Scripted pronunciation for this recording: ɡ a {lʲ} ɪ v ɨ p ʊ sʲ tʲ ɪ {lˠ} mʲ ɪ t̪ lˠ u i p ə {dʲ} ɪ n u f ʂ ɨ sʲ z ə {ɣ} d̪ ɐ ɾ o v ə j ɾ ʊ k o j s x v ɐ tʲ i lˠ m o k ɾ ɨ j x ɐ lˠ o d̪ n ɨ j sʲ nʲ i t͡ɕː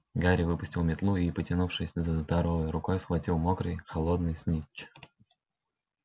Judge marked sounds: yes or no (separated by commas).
no, yes, no, no